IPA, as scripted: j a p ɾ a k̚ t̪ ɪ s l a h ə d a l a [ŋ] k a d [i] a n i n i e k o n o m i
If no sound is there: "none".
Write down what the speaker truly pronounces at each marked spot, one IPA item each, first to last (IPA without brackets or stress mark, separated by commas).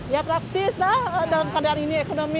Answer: m, a